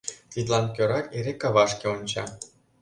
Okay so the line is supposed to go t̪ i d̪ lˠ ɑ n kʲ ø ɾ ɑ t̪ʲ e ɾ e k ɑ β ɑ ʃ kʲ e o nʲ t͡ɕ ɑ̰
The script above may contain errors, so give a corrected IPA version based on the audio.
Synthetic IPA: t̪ i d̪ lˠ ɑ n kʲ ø ɾ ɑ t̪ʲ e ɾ e k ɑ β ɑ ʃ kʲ e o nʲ t͡ɕ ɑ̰